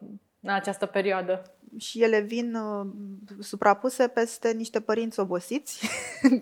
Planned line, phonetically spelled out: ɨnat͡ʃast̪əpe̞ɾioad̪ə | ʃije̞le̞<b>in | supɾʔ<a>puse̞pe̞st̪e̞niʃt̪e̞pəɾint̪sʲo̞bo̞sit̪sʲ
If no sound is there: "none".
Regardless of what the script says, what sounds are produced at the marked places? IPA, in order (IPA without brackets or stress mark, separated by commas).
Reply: v, a